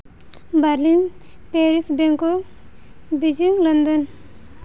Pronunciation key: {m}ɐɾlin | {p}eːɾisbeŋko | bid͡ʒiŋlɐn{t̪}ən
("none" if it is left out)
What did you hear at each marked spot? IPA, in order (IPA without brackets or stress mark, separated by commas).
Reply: b, p, d̪